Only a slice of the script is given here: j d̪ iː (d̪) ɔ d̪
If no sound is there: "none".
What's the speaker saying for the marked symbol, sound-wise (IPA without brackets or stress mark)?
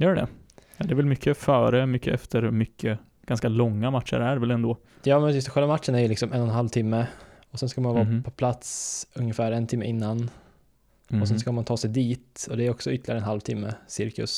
t̪